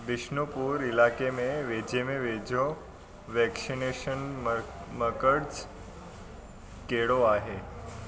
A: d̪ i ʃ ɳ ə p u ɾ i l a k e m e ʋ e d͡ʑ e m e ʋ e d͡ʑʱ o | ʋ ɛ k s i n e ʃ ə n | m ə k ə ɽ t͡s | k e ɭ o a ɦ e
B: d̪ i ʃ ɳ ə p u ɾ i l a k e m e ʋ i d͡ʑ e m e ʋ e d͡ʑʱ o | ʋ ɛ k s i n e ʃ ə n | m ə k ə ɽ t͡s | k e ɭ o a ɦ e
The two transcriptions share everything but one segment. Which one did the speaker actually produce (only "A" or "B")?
A